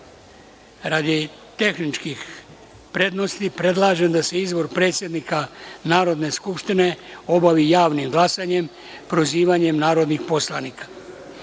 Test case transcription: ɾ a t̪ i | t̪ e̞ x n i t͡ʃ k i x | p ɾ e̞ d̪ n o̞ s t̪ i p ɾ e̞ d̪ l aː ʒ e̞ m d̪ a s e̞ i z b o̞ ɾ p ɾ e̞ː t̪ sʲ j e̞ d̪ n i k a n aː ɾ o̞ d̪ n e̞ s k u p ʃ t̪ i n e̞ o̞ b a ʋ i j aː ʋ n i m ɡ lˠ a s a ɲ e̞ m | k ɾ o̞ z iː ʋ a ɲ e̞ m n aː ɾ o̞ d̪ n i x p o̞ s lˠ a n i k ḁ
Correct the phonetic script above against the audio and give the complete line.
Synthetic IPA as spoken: ɾ a d̪ i | t̪ e̞ x n i t͡ʃ k i x | p ɾ e̞ d̪ n o̞ s t̪ i p ɾ e̞ d̪ l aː ʒ e̞ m d̪ a s e̞ i z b o̞ ɾ p ɾ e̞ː t̪ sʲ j e̞ d̪ n i k a n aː ɾ o̞ d̪ n e̞ s k u p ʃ t̪ i n e̞ o̞ b a ʋ i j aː ʋ n i m ɡ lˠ a s a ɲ e̞ m | p ɾ o̞ z iː ʋ a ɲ e̞ m n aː ɾ o̞ d̪ n i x p o̞ s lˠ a n i k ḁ